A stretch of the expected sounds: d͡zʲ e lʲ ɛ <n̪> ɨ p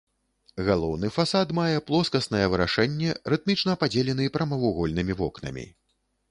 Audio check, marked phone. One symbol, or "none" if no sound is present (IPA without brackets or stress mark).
n̪